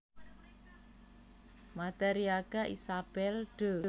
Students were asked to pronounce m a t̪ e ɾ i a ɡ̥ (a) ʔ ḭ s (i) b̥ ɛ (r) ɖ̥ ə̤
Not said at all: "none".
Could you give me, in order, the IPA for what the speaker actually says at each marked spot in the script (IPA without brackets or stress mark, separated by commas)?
a, a, l